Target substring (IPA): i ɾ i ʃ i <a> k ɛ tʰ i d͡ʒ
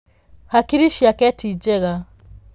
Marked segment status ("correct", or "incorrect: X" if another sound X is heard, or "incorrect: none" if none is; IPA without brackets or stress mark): correct